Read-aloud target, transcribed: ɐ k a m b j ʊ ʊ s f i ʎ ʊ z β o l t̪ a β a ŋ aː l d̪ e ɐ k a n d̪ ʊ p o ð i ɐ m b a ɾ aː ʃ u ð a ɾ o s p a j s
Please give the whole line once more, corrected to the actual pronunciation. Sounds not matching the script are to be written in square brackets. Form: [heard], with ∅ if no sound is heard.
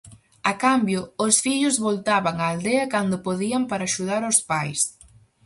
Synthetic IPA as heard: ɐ k a m b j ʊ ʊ s f i ʎ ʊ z β o l t̪ a β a ŋ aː l d̪ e ɐ k a n d̪ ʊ p o ð i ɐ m [p] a ɾ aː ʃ u ð a ɾ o s p a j s

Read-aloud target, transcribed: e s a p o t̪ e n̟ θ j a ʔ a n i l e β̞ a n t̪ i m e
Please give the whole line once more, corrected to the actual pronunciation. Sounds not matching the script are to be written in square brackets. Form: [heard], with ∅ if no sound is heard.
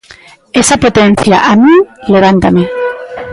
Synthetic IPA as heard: e s a p o t̪ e n̟ θ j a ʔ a [m] i l e β̞ a n t̪ [a] m e

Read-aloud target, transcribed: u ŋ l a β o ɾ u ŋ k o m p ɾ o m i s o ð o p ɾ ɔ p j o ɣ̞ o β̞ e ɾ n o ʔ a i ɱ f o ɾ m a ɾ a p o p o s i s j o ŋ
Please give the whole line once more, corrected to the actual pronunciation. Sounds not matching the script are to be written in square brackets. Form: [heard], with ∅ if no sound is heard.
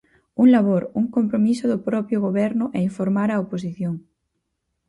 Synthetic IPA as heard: u ŋ l a β o ɾ u ŋ k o m p ɾ o m i s o ð o p ɾ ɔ p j o ɣ̞ o β̞ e ɾ n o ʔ [e] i ɱ f o ɾ m a ɾ a [∅] o p o s i [θ] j o ŋ

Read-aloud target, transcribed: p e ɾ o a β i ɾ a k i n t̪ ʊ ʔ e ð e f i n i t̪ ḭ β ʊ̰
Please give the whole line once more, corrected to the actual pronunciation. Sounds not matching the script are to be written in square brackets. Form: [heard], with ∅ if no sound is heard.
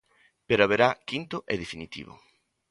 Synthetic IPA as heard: p e ɾ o a β [e] ɾ a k i n t̪ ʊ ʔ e ð e f i n i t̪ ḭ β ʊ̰

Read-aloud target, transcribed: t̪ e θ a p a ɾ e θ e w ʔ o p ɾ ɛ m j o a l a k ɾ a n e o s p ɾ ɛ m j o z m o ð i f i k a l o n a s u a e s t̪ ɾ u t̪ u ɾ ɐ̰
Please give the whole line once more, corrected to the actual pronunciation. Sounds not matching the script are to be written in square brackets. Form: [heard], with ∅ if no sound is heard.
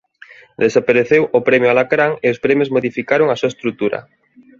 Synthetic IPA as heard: [d̪] e [s] a p a ɾ e θ e w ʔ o p ɾ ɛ m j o a l a k ɾ a [ŋ] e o s p ɾ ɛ m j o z m o ð i f i k a [ɾ] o [ŋ] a s u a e s t̪ ɾ u t̪ u ɾ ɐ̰

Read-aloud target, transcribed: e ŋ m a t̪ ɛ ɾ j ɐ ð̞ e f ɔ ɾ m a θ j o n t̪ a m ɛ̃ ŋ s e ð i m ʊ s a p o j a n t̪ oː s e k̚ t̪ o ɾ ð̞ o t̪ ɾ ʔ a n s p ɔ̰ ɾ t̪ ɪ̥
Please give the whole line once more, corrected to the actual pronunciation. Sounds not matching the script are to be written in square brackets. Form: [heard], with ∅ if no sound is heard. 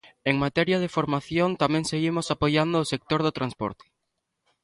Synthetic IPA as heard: e ŋ m a t̪ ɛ ɾ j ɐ ð̞ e f [o] ɾ m a θ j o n t̪ a m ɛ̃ ŋ s e [ɣ] i m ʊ s a p o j a n [d̪] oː s e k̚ t̪ o ɾ ð̞ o t̪ ɾ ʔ a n s p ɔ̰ ɾ t̪ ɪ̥

